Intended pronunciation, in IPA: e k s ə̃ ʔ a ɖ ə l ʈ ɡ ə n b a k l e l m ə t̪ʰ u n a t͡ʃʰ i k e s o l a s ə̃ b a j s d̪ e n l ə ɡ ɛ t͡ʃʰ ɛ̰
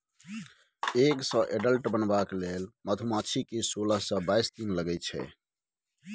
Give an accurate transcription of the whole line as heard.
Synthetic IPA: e k s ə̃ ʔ e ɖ ə l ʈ b ə n b a k l e l m ə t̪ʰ u m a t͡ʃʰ i k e s o l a s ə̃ b a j s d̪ i n l ə ɡ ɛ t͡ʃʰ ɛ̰